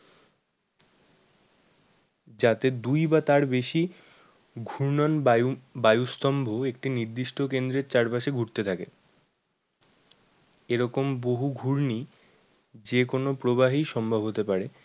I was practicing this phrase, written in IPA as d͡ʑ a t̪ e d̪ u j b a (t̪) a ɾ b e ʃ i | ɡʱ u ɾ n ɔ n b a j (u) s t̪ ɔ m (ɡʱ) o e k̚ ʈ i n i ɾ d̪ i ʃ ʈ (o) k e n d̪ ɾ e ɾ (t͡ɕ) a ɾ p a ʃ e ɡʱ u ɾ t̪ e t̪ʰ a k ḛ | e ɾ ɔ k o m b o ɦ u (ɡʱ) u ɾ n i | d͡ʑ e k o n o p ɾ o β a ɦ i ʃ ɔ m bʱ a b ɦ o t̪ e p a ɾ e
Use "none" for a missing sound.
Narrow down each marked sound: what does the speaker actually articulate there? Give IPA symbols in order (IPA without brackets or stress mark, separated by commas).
t̪, u, bʱ, o, t͡ɕ, ɡʱ